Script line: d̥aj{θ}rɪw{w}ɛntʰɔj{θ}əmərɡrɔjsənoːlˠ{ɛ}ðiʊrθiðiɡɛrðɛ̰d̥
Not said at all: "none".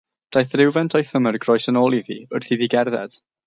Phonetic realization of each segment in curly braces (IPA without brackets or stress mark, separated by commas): θ, v, θ, i